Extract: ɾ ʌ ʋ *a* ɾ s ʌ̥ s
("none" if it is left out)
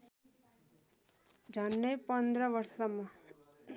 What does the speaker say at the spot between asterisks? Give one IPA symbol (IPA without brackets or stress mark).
ʌ